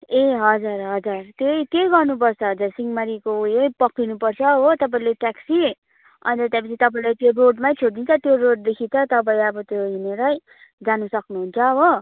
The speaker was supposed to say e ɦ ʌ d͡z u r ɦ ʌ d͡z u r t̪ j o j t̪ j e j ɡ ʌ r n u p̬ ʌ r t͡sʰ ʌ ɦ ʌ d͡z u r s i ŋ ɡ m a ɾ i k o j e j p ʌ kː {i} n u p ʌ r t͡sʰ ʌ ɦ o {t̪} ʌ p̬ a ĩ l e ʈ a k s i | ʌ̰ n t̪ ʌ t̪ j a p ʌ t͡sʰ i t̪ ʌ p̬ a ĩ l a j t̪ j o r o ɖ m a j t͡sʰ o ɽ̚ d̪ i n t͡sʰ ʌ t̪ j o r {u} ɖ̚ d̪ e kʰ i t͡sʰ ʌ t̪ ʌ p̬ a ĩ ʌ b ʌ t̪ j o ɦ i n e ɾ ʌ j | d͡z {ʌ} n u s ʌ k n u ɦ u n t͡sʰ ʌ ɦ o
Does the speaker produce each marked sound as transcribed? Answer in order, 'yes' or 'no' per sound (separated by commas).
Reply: yes, yes, no, no